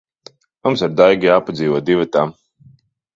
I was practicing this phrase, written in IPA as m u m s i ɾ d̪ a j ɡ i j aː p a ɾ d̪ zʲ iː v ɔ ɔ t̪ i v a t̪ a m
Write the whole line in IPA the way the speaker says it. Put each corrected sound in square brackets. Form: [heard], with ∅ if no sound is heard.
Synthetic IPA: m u m s [a] ɾ d̪ a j ɡ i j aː p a [∅] d̪ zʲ iː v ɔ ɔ [d̪] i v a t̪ a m